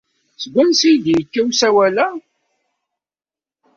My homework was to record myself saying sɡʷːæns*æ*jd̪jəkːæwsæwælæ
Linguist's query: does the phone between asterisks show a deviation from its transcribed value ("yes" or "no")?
yes